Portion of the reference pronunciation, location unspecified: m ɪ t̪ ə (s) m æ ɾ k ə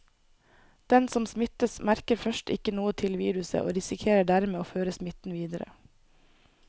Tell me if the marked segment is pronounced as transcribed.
yes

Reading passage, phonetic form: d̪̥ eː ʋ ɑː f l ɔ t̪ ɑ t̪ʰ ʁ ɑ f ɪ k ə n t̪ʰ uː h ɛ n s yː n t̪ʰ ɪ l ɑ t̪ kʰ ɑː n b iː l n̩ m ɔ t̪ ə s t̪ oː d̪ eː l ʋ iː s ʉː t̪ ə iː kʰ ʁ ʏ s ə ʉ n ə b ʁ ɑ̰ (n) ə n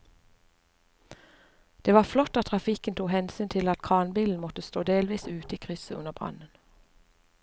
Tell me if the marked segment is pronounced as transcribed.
yes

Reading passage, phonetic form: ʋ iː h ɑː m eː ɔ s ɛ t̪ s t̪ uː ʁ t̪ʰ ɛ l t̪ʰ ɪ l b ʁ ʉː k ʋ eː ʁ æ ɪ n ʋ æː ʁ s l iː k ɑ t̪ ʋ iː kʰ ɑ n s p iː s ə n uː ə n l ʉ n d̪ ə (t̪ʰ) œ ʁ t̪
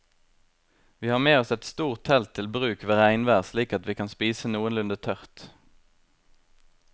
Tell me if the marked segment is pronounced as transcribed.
yes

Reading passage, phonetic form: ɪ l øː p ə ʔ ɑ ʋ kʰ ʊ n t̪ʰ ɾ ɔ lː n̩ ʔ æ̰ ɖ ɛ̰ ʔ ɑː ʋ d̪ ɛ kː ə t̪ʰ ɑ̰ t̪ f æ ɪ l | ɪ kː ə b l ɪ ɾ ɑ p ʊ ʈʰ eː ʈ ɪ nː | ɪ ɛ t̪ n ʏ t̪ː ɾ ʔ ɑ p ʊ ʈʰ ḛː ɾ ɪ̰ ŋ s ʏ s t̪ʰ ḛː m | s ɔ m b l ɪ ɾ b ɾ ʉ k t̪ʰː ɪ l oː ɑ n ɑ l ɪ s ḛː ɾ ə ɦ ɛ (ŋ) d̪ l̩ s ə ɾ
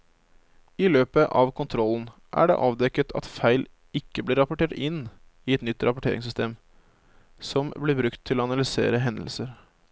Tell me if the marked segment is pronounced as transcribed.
no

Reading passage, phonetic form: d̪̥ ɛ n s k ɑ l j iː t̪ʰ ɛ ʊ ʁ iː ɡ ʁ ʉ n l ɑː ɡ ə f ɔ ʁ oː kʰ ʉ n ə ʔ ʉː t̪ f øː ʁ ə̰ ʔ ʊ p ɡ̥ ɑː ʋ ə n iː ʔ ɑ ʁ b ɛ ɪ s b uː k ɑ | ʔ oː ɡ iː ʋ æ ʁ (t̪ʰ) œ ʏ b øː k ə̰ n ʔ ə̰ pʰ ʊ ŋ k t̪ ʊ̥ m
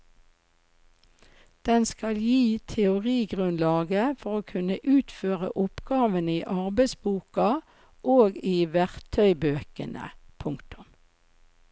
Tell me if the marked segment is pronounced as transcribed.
yes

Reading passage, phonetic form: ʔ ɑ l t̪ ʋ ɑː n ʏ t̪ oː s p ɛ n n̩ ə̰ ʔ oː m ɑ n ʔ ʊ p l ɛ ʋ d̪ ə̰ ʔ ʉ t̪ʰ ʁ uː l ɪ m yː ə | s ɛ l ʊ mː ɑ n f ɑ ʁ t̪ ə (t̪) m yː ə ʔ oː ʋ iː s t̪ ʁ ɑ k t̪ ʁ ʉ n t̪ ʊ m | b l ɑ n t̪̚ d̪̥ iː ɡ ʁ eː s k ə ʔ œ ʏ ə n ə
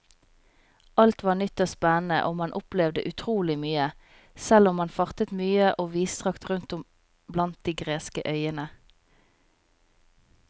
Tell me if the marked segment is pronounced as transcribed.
yes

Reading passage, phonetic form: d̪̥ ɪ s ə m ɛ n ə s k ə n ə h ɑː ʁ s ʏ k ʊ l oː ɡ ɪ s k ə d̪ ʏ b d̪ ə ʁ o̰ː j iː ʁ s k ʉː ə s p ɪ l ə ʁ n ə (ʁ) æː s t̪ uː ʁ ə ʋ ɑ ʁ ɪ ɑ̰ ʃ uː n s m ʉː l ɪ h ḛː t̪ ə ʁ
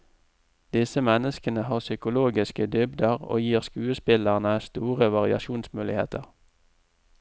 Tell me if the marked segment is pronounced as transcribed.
no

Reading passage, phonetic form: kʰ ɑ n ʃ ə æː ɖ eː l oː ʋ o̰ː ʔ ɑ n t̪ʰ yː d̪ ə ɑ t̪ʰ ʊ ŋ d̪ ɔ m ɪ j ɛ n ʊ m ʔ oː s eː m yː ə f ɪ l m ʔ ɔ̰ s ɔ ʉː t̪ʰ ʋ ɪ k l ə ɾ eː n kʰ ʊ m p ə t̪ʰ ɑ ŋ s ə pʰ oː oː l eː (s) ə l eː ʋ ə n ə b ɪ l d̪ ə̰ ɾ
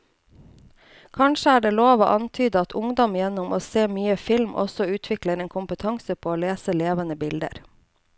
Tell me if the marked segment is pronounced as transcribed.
yes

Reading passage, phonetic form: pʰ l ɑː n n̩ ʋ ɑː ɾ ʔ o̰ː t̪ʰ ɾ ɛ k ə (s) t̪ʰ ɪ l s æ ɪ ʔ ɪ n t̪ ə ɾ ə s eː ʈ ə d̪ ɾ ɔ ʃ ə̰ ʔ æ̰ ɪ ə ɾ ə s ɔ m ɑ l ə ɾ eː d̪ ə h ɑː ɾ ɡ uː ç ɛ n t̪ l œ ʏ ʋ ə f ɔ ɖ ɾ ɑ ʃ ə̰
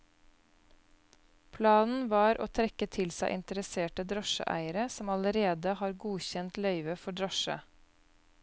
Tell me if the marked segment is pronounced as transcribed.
no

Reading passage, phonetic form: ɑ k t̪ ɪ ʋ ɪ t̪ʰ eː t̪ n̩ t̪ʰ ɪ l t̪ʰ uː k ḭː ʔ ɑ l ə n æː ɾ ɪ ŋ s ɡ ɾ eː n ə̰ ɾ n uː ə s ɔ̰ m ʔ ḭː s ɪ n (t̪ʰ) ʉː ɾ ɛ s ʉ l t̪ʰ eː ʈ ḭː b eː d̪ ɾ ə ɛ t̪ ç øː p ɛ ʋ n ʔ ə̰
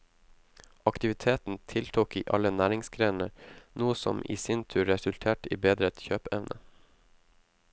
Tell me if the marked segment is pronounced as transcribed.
yes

